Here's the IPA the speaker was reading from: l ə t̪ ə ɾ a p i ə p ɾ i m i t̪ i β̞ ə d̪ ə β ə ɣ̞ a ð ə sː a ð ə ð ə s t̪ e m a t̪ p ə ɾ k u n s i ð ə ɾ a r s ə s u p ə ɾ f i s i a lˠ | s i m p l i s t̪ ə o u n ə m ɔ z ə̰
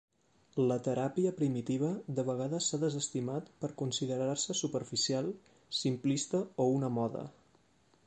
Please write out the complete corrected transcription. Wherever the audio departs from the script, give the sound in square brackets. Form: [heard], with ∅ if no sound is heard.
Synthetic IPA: l ə t̪ ə ɾ a p i ə p ɾ i m i t̪ i β̞ ə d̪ ə β ə ɣ̞ a ð ə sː a ð ə [z] ə s t̪ [i] m a t̪ p ə ɾ k u n s i ð ə ɾ a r s ə s u p ə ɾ f i s i a lˠ | s i m p l i s t̪ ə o u n ə m ɔ [ð] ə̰